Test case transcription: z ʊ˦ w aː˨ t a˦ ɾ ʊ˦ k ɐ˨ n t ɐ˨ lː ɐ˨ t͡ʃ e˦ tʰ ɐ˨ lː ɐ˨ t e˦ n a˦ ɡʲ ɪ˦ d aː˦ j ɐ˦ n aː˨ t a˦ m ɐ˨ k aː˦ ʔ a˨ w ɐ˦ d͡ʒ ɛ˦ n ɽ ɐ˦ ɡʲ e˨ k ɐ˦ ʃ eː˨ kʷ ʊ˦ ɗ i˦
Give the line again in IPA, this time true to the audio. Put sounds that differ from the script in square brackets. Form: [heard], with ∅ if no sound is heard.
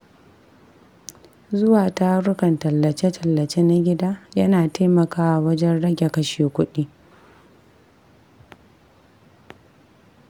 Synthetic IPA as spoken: z ʊ˦ w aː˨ t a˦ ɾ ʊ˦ k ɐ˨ n t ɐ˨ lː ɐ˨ t͡ʃ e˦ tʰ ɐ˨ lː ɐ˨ [t͡ʃ] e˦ n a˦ ɡʲ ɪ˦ d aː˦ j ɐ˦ n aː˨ t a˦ m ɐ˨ k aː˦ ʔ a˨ w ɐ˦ d͡ʒ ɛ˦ n ɽ ɐ˦ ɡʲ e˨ k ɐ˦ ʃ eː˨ kʷ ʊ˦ ɗ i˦

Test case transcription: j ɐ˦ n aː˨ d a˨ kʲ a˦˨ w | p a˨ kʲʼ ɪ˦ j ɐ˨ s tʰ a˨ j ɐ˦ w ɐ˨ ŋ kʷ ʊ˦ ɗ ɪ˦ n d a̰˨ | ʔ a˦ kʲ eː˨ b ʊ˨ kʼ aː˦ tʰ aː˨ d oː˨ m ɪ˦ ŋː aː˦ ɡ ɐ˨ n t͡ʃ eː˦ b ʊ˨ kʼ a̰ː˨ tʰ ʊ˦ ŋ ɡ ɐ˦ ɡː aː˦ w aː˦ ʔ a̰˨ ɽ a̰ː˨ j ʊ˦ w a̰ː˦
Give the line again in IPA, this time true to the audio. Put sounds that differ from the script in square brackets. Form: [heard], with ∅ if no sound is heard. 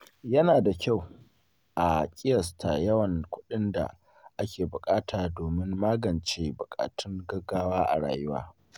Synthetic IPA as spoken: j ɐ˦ n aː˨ d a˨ kʲ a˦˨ w | [ʔ] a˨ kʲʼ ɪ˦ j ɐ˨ s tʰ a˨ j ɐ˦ w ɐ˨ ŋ kʷ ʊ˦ ɗ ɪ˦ n d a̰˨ | ʔ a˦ kʲ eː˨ b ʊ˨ kʼ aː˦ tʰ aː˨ d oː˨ m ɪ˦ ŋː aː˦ ɡ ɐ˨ n t͡ʃ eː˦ b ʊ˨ kʼ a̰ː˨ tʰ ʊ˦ ŋ ɡ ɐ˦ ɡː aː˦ w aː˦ ʔ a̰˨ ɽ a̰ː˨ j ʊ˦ w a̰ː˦

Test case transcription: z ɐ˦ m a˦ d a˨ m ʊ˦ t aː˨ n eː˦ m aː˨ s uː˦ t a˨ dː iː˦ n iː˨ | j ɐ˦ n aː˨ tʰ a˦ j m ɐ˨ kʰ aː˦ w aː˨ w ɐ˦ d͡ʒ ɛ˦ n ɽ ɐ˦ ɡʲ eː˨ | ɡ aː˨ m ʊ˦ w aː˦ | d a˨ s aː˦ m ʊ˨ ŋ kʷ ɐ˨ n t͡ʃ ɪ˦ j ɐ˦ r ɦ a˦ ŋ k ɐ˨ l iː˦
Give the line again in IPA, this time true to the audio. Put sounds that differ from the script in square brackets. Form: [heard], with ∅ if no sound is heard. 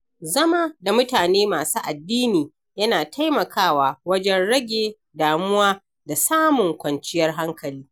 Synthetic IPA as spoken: z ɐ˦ m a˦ d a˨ m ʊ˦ t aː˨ n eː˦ m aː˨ s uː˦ [ʔ] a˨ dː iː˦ n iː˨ | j ɐ˦ n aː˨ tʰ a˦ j m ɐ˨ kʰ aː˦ w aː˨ w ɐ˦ d͡ʒ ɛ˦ n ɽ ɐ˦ ɡʲ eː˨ | [d] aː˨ m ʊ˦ w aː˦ | d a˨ s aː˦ m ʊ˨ ŋ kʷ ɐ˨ n t͡ʃ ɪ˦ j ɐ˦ r ɦ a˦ ŋ k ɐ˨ l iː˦

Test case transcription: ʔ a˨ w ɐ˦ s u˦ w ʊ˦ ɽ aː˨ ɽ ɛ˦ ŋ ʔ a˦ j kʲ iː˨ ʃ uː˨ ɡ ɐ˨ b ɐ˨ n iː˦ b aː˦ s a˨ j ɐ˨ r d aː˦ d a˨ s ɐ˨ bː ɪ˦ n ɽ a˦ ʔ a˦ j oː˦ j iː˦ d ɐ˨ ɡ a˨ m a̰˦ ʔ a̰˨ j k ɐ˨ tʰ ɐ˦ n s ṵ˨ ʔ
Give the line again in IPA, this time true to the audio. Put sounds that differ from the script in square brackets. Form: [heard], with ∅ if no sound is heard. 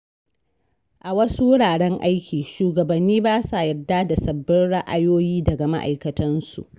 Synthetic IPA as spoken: ʔ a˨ w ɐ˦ s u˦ w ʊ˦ ɽ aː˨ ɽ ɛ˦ ŋ ʔ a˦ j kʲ iː˨ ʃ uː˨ ɡ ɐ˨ b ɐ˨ [nː] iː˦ b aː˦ s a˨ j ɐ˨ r d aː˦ d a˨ s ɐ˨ bː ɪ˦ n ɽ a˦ ʔ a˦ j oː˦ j iː˦ d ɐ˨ ɡ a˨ m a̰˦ ʔ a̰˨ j k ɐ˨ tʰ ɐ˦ n s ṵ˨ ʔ

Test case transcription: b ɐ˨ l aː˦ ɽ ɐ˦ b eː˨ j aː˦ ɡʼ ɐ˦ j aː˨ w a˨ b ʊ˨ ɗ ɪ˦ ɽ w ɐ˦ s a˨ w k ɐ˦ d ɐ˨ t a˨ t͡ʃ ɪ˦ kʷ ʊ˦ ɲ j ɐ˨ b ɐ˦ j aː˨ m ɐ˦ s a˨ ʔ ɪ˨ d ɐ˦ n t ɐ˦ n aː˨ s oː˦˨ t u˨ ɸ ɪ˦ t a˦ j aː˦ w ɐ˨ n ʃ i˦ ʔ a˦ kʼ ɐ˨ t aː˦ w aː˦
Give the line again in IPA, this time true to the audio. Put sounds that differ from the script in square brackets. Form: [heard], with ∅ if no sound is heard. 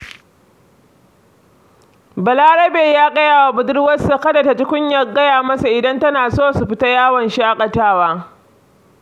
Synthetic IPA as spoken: b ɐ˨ l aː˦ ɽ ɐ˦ b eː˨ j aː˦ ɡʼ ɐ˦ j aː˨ w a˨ b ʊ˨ [d] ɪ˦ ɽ w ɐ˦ s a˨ [∅] k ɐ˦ d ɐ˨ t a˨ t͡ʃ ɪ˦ kʷ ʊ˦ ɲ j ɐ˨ [ɡ] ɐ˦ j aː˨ m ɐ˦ s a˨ ʔ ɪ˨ d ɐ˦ n t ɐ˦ n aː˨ s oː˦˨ [s] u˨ ɸ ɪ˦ t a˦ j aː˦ w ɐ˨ n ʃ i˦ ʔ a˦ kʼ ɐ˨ t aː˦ w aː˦

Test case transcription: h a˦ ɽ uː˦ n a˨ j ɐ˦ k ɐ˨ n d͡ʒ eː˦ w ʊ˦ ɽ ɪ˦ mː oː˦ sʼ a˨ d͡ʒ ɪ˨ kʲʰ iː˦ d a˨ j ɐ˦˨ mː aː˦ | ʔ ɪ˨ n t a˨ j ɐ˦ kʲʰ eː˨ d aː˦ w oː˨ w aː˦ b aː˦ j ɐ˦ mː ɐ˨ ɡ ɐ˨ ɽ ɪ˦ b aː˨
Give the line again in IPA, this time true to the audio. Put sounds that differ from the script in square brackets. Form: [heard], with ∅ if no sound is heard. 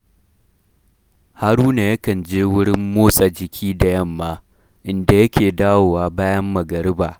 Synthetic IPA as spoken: h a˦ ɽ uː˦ n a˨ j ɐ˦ k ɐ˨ n d͡ʒ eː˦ w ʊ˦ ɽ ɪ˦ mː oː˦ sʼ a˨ d͡ʒ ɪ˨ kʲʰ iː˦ d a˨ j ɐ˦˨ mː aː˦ | ʔ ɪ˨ n [d] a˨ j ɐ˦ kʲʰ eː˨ d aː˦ w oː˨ w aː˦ b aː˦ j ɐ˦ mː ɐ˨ ɡ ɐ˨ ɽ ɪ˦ b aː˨

